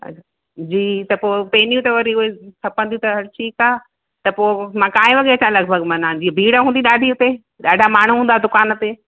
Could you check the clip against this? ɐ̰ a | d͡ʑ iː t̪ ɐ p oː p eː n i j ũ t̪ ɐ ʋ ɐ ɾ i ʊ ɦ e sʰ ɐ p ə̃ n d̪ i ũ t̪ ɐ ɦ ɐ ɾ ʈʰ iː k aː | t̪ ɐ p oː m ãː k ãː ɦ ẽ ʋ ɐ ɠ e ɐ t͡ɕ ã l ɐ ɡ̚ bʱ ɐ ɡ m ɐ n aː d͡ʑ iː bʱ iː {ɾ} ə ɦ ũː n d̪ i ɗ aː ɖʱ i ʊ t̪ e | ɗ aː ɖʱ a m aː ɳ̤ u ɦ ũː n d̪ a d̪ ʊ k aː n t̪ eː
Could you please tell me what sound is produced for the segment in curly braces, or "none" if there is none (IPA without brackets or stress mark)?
ɽ